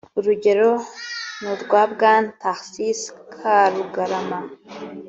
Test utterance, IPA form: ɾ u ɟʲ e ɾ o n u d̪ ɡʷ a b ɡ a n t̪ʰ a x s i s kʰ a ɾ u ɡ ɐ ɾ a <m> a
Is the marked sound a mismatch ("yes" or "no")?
no